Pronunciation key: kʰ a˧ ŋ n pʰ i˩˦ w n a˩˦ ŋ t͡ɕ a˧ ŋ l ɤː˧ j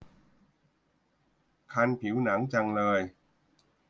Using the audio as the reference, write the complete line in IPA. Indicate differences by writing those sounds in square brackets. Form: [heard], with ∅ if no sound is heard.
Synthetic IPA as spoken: kʰ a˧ [∅] n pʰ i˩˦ w n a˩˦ ŋ t͡ɕ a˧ ŋ l ɤː˧ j